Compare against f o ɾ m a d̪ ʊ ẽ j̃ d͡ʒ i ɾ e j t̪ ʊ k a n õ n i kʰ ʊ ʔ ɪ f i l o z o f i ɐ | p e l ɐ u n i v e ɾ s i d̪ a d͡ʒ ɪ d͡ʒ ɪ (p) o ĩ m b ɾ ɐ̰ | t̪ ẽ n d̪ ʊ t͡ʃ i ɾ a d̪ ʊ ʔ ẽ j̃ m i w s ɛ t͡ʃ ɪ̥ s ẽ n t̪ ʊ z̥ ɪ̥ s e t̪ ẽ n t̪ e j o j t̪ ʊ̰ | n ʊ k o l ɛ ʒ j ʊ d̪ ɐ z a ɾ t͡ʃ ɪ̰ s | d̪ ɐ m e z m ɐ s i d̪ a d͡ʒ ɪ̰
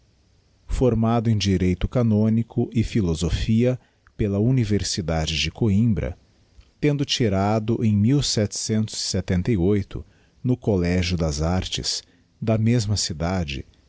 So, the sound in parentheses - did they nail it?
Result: no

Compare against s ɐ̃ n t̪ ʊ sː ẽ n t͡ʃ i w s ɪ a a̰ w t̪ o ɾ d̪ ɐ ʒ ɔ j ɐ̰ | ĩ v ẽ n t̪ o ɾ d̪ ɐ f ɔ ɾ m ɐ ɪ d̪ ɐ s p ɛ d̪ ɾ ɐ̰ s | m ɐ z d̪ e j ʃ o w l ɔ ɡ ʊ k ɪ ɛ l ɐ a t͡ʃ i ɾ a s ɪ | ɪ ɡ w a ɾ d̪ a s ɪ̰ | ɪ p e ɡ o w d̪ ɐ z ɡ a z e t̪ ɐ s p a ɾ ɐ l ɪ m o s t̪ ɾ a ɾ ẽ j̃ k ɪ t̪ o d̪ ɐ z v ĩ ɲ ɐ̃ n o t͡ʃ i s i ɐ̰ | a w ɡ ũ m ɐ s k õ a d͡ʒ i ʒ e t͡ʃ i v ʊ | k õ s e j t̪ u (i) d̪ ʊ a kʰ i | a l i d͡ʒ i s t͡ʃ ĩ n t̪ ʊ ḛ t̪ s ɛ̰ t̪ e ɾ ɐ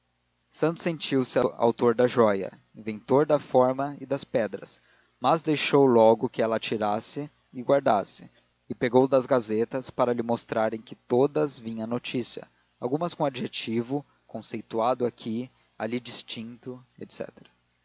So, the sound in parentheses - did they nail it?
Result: no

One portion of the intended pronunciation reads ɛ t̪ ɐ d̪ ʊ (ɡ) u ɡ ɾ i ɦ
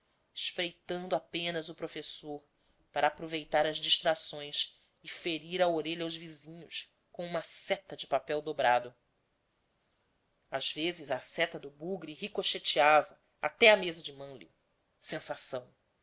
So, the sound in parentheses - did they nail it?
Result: no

